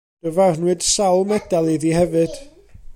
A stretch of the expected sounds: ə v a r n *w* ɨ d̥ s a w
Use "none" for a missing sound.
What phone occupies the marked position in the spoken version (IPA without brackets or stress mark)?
w